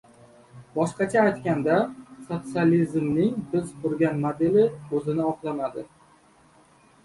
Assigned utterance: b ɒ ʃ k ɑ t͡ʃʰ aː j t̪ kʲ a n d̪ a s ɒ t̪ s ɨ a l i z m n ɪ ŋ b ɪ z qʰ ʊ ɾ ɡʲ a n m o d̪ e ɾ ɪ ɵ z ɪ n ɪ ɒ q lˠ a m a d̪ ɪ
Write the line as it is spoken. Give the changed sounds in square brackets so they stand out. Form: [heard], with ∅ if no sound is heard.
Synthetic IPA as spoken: b ɒ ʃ [q] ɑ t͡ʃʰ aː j t̪ kʲ a n d̪ a s [o] t̪ s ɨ a l i z m n ɪ ŋ b ɪ z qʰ ʊ ɾ ɡʲ a n m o d̪ e [l] ɪ ɵ z ɪ n ɪ ɒ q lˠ a m a d̪ ɪ